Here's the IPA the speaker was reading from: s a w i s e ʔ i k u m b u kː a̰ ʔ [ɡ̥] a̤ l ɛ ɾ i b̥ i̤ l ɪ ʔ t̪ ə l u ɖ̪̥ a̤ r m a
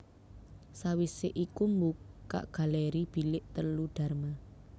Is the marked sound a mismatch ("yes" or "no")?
no